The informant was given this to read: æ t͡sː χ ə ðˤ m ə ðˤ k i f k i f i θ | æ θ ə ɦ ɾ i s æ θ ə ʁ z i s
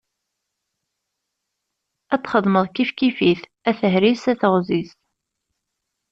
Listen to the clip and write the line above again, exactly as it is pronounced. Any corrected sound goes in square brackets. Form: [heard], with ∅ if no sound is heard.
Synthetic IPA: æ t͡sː χ ə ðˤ m ə ðˤ k i f k i f i θ | æ θ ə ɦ ɾ i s æ θ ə ʁ z i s

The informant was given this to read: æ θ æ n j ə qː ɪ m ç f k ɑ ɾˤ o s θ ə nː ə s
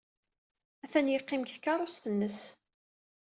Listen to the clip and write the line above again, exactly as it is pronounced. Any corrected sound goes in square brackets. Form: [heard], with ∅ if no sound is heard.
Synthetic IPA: æ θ æ n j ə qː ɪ m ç [θ] k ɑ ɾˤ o s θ ə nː ə s

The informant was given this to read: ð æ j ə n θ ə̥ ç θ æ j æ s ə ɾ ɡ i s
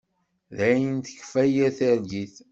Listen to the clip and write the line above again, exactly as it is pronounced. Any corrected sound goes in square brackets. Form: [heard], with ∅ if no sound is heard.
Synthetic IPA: ð æ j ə n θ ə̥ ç [f] æ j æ [θ] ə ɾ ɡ i [θ]

